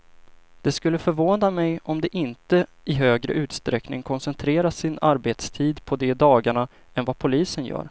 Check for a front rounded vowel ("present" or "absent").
present